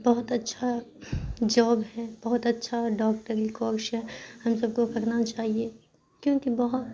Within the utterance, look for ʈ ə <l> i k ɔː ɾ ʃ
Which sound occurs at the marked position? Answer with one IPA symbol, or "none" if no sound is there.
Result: ɾ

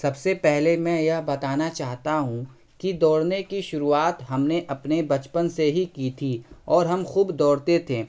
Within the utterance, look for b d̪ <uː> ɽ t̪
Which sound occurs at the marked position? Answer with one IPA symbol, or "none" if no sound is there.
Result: ɔː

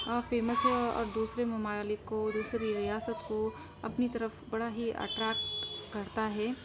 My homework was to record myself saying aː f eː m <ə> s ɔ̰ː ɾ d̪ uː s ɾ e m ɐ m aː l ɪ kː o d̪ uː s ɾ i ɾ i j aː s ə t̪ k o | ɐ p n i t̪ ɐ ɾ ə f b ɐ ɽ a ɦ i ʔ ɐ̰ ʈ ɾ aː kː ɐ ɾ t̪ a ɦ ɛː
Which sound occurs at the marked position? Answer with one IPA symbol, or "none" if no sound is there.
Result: ə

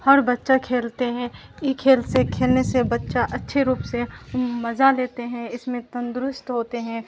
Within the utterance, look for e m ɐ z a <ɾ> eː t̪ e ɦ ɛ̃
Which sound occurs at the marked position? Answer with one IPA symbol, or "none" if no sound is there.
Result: l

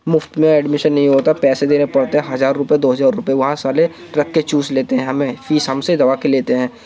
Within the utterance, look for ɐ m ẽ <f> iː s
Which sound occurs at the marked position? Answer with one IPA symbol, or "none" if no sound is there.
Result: f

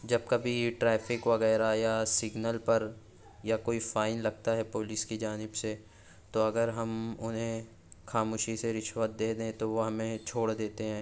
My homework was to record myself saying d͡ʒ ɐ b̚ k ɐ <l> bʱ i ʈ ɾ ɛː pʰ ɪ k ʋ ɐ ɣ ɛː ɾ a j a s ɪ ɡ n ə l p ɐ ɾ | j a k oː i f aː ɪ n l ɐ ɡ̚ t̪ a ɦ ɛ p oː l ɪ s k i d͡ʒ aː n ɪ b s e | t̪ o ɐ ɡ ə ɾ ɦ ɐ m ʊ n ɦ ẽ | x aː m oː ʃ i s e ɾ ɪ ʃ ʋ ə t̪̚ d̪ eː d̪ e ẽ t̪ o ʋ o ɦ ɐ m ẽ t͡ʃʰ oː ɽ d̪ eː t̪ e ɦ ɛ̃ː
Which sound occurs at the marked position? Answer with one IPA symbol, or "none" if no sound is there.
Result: none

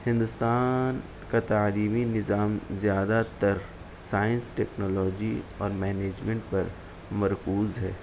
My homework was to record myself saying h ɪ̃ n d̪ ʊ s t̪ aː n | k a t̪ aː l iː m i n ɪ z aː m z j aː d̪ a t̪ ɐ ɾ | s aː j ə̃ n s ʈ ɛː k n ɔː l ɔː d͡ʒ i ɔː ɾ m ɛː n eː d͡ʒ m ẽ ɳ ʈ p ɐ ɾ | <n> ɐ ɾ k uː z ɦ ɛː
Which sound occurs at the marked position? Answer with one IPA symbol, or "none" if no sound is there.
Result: m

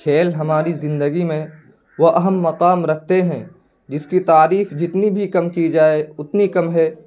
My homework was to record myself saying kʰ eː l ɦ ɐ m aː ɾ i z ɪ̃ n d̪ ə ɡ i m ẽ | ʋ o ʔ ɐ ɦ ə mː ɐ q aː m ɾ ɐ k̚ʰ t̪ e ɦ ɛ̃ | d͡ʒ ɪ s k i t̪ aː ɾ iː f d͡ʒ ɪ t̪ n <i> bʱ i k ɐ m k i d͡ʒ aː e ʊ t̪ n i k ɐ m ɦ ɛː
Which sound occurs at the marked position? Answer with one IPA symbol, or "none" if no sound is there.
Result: i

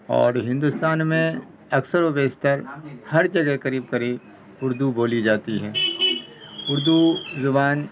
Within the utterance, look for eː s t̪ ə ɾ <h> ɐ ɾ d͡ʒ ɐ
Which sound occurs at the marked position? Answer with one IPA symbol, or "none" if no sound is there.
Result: h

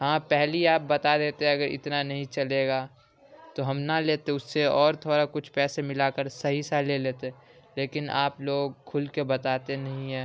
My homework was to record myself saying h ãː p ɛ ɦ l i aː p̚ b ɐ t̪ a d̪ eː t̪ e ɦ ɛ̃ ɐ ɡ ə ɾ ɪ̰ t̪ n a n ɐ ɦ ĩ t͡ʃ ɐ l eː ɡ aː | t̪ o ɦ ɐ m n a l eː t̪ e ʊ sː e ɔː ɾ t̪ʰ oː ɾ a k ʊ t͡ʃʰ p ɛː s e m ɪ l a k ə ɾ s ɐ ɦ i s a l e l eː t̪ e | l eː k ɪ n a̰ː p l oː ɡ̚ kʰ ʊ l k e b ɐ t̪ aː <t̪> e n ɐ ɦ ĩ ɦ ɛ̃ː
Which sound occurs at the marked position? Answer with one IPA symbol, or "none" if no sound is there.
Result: t̪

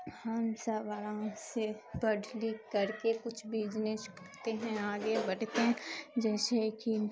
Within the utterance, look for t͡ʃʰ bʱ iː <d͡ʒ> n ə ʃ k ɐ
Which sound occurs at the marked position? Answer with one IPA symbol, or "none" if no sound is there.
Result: d͡ʒ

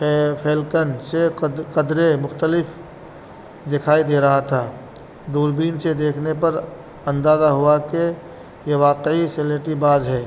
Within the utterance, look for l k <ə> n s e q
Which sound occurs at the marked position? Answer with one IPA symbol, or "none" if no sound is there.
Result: ə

